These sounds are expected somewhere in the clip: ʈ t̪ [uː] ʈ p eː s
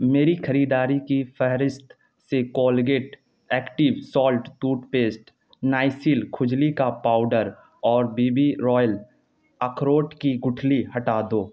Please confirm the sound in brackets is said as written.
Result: yes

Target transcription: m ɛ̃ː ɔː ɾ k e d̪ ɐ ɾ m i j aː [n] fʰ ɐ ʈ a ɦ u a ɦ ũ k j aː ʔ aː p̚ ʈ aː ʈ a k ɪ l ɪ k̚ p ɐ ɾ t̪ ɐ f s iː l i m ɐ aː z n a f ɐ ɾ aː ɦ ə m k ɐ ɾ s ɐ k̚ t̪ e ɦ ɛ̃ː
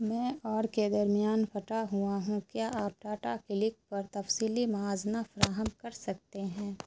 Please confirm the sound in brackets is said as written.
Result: yes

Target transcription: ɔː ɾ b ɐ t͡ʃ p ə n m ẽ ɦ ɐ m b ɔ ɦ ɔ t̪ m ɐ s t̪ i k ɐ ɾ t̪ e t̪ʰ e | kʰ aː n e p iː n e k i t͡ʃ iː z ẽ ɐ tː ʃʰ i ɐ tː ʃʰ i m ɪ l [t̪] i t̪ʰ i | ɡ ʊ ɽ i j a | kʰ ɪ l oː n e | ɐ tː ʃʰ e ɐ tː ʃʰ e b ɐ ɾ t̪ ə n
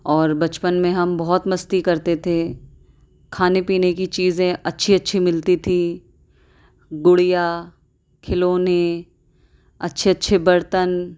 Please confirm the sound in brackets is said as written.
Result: yes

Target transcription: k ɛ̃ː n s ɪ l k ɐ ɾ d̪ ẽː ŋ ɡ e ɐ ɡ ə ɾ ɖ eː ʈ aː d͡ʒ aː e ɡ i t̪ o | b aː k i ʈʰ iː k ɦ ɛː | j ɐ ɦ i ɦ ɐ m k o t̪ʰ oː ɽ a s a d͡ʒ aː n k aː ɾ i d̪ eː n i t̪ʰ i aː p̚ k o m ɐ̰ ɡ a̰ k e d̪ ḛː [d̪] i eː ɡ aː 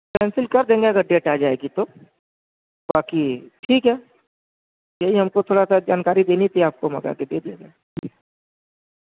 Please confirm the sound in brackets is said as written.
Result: yes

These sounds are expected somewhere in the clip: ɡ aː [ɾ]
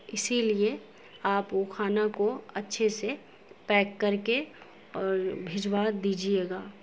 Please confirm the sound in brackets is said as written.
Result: no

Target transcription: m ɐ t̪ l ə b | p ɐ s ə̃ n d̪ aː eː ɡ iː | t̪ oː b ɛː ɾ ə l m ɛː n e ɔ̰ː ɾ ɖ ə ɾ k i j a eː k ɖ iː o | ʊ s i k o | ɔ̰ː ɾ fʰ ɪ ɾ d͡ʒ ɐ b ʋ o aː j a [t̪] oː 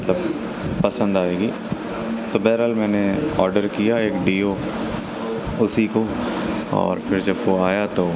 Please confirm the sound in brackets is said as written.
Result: yes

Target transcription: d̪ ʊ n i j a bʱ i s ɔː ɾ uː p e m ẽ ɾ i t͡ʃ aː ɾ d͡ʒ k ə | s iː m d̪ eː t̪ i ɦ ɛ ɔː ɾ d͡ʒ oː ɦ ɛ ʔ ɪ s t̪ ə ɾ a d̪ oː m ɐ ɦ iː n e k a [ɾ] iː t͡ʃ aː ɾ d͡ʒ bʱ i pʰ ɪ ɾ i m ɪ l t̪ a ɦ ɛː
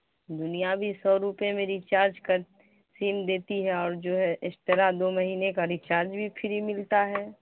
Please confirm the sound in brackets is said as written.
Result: yes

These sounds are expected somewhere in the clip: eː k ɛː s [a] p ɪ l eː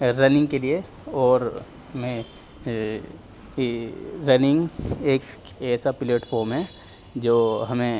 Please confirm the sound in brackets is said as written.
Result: yes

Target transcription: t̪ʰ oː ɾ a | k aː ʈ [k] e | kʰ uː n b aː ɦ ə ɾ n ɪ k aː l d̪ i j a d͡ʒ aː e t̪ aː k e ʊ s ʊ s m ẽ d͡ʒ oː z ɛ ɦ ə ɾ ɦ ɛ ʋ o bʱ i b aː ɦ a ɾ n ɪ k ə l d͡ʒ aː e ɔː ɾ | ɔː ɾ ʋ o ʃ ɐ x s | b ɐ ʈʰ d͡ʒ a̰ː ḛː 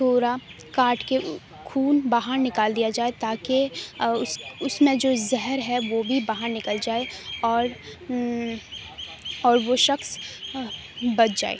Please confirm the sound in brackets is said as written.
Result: yes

